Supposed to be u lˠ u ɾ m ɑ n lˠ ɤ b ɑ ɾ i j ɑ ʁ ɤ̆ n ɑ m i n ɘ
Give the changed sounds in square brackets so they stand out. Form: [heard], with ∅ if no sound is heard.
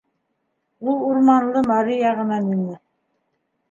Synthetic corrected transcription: u lˠ u ɾ m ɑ n lˠ ɤ [m] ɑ ɾ i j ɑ ʁ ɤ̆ n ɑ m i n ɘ